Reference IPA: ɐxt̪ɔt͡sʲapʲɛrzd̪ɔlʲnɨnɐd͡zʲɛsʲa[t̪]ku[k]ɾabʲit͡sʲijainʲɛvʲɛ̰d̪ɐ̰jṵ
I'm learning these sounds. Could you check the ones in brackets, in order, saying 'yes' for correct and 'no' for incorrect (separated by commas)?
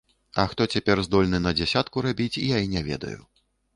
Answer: yes, no